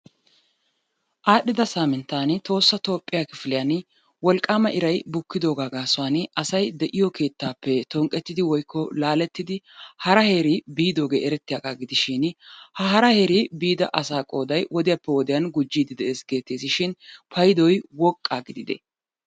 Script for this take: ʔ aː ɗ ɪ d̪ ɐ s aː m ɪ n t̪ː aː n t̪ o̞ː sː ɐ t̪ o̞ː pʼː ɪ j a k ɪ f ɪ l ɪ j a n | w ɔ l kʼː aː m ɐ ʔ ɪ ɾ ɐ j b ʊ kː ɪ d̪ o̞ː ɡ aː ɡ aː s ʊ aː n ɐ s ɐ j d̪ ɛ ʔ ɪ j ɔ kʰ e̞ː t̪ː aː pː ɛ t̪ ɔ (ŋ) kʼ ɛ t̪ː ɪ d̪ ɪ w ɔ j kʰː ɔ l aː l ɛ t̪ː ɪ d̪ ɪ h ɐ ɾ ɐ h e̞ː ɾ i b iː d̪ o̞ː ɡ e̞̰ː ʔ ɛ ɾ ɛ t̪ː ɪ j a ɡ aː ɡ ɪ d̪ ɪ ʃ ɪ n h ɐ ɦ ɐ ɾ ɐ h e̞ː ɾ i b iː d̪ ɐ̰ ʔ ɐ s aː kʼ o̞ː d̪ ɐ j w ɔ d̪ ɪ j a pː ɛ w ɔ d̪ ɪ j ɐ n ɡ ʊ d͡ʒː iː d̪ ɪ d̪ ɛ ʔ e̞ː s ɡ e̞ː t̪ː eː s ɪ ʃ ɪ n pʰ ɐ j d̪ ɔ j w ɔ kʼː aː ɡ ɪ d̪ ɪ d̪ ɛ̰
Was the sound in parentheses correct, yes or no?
yes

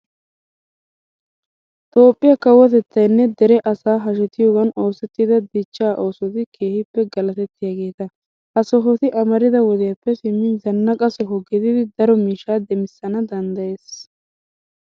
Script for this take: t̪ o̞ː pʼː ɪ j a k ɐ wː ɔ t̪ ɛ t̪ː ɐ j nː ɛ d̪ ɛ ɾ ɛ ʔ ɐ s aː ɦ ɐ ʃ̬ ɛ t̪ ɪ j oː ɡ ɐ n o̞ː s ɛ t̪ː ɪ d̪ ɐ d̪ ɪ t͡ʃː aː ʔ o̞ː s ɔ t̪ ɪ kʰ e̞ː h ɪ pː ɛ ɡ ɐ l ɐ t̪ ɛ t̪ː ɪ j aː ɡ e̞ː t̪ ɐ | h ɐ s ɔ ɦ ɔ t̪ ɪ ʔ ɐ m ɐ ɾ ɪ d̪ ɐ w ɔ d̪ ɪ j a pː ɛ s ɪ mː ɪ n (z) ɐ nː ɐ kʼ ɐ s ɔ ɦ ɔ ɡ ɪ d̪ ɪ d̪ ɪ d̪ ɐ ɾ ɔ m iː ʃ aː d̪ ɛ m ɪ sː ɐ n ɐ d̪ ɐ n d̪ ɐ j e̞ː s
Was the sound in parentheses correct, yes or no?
yes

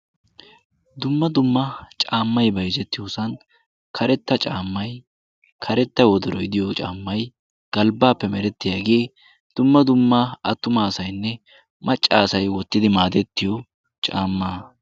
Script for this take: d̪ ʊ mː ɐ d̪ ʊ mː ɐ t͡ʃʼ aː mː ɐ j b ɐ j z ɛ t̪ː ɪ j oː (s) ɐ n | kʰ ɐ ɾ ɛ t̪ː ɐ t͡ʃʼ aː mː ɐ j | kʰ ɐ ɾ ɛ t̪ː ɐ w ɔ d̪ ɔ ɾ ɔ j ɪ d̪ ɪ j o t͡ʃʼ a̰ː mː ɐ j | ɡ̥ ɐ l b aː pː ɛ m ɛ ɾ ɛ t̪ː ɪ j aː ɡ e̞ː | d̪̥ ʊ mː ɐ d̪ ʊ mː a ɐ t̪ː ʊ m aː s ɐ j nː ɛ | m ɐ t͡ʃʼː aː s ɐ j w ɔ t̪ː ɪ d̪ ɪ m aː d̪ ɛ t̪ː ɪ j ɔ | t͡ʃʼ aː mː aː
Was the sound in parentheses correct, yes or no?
yes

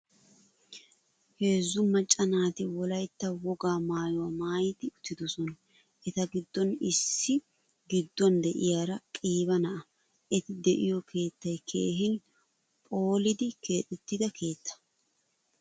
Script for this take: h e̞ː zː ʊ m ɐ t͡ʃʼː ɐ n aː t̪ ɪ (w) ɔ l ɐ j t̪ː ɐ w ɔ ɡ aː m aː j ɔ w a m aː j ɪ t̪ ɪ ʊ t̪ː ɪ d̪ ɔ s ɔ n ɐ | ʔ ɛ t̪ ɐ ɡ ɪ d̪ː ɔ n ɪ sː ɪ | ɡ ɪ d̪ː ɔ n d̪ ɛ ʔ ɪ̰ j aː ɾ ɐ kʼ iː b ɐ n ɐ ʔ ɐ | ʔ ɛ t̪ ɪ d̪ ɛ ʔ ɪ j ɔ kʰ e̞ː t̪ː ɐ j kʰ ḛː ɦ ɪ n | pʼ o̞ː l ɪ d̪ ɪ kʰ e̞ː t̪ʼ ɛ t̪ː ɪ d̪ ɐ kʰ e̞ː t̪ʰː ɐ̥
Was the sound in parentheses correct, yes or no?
yes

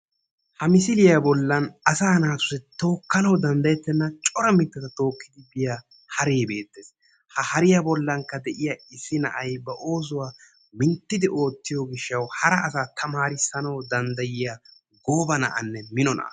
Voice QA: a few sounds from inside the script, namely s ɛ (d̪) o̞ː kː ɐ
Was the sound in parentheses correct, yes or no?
no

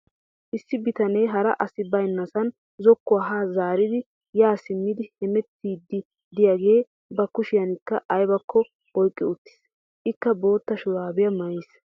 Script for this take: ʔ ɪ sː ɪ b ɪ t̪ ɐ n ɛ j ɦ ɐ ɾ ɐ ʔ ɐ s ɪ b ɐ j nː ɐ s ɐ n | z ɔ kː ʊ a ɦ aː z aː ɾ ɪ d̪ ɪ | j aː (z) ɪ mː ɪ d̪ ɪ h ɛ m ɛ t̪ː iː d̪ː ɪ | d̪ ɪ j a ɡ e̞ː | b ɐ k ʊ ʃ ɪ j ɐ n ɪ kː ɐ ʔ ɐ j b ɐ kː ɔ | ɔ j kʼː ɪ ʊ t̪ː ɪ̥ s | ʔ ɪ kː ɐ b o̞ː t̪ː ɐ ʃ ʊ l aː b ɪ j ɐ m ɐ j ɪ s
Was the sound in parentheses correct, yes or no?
no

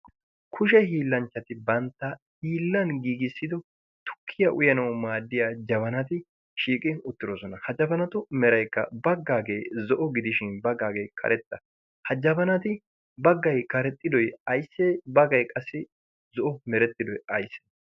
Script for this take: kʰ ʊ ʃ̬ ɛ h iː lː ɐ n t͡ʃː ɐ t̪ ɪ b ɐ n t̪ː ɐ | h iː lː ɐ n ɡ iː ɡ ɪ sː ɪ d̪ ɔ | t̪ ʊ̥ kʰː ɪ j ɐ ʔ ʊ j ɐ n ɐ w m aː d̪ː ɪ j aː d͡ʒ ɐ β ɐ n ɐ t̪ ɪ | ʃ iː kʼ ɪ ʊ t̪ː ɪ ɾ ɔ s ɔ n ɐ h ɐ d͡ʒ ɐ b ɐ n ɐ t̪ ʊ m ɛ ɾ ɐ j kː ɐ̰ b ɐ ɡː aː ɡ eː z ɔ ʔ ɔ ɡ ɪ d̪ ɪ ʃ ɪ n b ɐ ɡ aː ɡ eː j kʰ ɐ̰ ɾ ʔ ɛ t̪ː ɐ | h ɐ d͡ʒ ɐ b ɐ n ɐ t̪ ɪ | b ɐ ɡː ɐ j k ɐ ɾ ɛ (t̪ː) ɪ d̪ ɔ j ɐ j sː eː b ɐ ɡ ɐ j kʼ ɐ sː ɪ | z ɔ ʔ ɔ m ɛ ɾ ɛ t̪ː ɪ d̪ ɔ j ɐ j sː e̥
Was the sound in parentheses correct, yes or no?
no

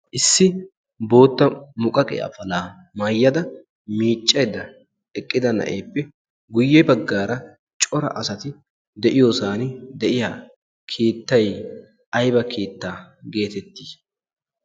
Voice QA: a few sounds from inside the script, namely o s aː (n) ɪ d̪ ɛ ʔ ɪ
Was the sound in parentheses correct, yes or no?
yes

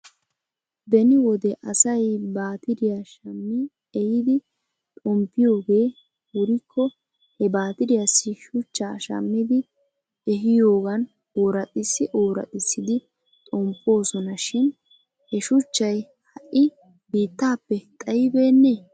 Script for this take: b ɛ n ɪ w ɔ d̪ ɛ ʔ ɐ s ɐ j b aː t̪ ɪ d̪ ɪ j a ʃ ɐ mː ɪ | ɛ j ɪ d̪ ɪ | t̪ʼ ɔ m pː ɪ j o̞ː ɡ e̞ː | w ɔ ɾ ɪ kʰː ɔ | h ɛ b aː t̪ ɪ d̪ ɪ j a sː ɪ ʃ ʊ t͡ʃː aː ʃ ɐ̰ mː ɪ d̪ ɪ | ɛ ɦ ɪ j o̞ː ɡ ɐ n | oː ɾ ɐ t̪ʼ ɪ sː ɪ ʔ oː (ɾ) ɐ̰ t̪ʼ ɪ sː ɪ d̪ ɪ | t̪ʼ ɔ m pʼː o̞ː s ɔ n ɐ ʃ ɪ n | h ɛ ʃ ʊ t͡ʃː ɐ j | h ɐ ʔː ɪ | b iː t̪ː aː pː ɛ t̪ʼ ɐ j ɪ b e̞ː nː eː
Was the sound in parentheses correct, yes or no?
yes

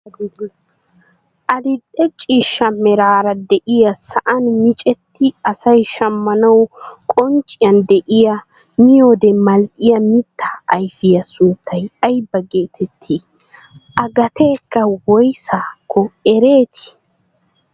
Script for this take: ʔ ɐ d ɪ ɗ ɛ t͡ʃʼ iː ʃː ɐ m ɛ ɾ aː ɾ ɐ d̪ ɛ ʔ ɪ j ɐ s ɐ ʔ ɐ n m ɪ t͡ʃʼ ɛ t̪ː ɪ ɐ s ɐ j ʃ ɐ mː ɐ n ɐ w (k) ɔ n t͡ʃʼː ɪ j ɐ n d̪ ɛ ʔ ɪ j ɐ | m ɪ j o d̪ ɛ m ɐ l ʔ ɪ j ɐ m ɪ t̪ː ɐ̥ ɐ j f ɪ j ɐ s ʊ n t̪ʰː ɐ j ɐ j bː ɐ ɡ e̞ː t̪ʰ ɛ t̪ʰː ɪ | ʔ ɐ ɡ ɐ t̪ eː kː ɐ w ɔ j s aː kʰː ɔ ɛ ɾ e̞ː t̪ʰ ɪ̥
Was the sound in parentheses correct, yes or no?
no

